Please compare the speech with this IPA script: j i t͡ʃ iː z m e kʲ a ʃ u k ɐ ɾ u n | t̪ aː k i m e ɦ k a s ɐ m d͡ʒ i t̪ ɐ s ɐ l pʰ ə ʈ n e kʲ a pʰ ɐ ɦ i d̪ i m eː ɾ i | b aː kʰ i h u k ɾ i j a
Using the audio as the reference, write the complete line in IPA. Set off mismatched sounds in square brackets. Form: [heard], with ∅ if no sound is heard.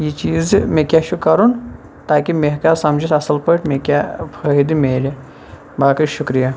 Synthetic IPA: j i t͡ʃ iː z m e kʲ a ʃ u k ɐ ɾ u n | t̪ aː k i m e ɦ k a s ɐ m d͡ʒ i t̪ ɐ s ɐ l [p] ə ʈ [m] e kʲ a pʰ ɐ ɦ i d̪ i m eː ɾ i | b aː [k] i [ʃ] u k ɾ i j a